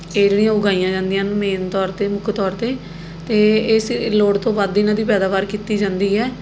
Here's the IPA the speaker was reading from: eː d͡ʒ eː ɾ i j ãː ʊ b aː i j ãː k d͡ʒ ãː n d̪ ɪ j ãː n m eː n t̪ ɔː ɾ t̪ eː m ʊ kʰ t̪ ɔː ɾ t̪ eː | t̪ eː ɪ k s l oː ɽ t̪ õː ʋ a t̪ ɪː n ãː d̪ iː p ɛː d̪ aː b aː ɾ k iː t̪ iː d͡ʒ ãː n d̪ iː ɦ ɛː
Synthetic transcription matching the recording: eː d͡ʒ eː ɽ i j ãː ʊ ɡ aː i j ãː d͡ʒ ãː n d̪ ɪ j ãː n m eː n t̪ ɔː ɾ t̪ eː m ʊ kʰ t̪ ɔː ɾ t̪ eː | t̪ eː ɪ s l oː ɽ t̪ õː ʋ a d̪ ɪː n ãː d̪ iː p ɛː d̪ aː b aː ɾ k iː t̪ iː d͡ʒ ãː n d̪ iː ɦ ɛː